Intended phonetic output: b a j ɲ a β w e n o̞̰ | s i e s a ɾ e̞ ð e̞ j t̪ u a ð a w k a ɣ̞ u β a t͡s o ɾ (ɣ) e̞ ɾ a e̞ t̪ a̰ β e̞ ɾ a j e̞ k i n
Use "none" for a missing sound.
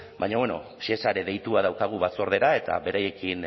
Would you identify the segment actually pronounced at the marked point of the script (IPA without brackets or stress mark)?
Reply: ð